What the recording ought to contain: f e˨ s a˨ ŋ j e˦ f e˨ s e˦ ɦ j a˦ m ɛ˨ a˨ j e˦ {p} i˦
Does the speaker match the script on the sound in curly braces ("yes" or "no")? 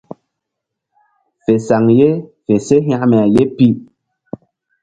yes